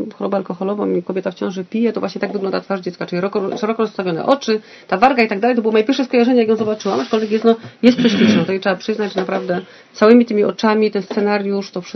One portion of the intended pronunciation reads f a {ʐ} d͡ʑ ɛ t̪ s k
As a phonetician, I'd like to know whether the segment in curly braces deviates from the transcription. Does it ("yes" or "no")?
no